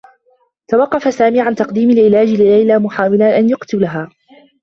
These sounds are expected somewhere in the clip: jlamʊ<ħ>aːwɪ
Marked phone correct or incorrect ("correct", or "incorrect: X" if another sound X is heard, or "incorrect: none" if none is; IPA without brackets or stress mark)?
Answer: correct